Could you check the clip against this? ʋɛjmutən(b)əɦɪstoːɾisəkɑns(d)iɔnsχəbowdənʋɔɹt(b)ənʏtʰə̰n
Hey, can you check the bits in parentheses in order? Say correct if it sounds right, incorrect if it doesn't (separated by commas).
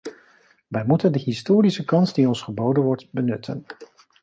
incorrect, correct, correct